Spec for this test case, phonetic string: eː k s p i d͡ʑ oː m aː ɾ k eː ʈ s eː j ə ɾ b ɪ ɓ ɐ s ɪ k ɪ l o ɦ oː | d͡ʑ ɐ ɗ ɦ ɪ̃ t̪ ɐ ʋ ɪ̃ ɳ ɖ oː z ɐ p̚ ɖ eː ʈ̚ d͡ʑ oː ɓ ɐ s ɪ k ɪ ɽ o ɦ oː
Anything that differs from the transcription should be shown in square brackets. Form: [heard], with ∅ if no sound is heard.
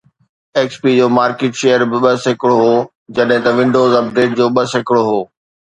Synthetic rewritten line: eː k s p i d͡ʑ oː m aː ɾ k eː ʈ [ʃ] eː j ə ɾ b ɪ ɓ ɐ s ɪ k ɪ [ɽ] o ɦ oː | d͡ʑ ɐ ɗ ɦ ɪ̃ t̪ ɐ ʋ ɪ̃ ɳ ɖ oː z ɐ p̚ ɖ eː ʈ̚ d͡ʑ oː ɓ ɐ s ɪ k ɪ ɽ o ɦ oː